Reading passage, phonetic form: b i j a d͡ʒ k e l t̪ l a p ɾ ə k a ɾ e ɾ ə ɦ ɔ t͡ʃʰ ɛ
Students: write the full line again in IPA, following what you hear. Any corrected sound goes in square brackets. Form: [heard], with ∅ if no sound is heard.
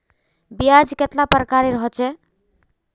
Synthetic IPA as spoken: b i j a d͡ʒ k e [∅] t̪ l a p ɾ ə k a ɾ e ɾ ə ɦ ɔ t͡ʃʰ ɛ

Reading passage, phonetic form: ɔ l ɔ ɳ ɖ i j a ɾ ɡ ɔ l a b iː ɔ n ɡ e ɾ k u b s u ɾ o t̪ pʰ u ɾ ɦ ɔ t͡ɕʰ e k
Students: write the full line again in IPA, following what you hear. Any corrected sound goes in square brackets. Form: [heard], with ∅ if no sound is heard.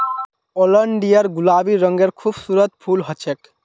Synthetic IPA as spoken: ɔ l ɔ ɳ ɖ i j a ɾ ɡ [u] l a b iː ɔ [ŋ] ɡ e ɾ [kʰ] u b s u ɾ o t̪ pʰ u [l] ɦ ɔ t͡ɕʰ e k

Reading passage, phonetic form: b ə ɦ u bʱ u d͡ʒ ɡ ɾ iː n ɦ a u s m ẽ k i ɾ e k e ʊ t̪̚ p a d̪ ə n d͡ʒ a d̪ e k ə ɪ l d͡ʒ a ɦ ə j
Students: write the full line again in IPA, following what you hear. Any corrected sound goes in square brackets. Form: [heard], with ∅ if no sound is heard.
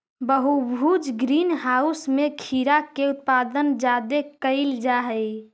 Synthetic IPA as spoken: b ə ɦ u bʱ u d͡ʒ ɡ ɾ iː n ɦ a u s m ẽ [kʰ] i ɾ [a] k e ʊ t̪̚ p a d̪ ə n d͡ʒ a d̪ e k ə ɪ l d͡ʒ a ɦ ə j

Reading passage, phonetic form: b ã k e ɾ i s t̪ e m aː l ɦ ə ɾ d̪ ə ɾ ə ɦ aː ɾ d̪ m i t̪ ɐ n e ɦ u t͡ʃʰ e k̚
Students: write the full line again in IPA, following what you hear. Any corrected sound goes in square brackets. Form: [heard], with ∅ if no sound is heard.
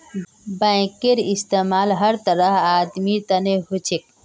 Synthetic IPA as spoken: b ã k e ɾ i s t̪ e m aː l ɦ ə ɾ [t̪] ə ɾ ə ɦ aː [∅] d̪ m i t̪ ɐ n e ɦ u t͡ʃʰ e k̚

